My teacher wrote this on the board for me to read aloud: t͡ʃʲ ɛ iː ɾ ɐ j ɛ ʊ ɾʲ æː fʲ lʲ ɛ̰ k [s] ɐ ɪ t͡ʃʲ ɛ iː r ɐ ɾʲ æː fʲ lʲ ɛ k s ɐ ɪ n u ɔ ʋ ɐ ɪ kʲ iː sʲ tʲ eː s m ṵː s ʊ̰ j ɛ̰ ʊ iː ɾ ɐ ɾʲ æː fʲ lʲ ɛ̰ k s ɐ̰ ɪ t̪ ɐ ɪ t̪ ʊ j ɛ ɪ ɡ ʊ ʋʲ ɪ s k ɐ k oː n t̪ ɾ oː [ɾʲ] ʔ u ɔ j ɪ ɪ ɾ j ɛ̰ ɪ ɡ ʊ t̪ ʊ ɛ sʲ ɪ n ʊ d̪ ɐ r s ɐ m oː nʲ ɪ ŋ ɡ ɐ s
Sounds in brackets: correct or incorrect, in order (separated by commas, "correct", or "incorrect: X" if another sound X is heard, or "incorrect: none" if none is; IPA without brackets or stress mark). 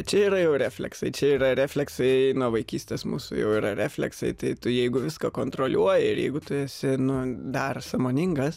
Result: correct, incorrect: lʲ